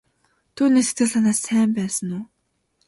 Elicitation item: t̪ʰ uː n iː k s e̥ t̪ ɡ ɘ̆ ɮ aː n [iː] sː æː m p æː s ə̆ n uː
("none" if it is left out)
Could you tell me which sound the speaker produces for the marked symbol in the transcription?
aː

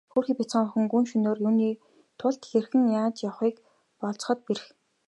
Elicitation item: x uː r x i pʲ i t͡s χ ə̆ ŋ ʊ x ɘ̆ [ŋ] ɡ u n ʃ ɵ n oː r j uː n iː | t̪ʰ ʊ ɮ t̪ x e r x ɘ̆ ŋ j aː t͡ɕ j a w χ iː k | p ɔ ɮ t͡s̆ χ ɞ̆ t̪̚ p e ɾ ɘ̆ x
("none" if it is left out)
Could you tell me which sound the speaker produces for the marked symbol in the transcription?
ŋ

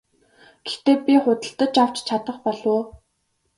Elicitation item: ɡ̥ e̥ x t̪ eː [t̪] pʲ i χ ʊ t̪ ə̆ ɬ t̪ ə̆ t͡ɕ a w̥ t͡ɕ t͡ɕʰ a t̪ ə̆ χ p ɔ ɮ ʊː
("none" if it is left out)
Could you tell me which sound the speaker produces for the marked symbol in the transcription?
none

